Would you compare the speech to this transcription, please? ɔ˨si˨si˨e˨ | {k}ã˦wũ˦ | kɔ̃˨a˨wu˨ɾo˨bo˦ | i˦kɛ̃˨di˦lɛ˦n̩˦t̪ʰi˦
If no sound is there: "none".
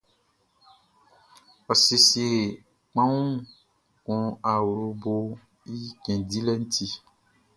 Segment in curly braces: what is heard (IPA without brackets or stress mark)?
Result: k͡p